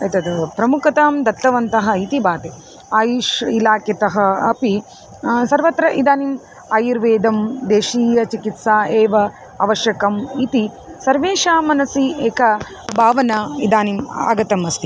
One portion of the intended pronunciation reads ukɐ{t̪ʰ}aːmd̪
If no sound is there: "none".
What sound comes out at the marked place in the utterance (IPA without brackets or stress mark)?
t̪